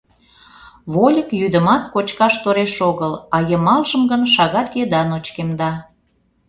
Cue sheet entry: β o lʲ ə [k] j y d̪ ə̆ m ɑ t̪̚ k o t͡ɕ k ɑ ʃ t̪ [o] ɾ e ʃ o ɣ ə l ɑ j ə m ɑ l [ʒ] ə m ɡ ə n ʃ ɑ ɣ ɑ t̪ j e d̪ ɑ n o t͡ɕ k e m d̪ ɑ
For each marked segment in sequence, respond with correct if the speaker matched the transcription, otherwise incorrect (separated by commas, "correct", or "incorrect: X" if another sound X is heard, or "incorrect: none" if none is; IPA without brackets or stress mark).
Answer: correct, correct, correct